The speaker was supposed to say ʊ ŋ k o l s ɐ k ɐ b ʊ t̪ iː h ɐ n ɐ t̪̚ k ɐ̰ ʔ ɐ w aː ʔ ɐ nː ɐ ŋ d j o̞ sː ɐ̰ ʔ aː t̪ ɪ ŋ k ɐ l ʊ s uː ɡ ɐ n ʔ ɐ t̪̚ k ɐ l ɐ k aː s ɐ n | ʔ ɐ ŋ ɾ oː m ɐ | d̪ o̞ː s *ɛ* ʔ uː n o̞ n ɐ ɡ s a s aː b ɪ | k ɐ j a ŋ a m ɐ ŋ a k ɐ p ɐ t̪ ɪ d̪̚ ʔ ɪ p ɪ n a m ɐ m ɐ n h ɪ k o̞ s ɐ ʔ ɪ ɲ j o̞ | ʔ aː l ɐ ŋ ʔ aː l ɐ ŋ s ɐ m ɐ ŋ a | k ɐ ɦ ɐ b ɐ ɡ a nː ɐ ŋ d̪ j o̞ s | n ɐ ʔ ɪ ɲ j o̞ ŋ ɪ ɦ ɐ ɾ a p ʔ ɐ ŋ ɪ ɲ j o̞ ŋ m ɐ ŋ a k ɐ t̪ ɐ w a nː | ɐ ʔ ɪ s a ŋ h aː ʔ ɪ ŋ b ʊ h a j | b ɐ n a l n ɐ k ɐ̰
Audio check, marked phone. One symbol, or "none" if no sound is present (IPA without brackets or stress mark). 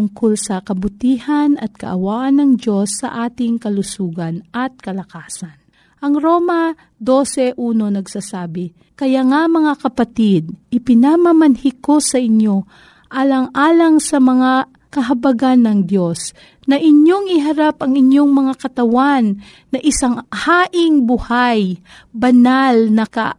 ɛ